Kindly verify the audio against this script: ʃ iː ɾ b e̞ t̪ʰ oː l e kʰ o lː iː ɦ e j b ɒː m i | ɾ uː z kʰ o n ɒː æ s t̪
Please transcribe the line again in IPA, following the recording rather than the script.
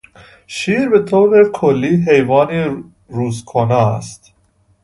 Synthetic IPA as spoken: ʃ iː ɾ b e̞ t̪ʰ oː ɾ e kʰ o lː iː ɦ e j v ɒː n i | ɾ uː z kʰ o n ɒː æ s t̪

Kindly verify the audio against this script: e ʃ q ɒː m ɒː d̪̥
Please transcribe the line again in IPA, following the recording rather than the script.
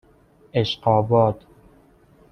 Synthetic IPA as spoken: e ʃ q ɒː b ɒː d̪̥

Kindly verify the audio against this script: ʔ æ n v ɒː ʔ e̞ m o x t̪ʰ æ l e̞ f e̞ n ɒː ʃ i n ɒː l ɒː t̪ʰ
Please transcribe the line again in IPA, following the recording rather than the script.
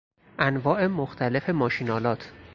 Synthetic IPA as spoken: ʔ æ n v ɒː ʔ e̞ m o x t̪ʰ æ l e̞ f e̞ m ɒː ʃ i n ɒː l ɒː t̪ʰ

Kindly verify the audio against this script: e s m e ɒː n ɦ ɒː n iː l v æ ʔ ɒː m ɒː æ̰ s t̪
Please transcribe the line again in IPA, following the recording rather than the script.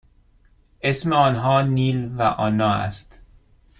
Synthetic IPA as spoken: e s m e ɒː n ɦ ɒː n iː l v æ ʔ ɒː n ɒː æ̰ s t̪

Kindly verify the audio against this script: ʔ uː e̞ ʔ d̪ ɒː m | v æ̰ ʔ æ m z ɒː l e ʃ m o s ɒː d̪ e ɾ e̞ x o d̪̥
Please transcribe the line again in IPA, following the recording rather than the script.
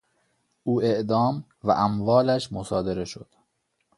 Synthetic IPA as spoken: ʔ uː e̞ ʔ d̪ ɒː m | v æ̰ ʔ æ m v ɒː l æ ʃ m o s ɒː d̪ e ɾ e̞ ʃ o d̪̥

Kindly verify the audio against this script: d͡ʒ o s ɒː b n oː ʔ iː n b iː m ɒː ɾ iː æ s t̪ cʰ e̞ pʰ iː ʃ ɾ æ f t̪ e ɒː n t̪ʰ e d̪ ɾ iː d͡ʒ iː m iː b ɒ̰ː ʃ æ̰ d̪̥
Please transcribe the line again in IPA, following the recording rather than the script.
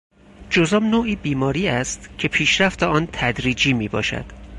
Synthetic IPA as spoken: d͡ʒ o z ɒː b n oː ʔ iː b iː m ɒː ɾ iː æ s t̪ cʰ e̞ pʰ iː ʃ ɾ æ f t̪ e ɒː n t̪ʰ æ d̪ ɾ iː d͡ʒ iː m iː b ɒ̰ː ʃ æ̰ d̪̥

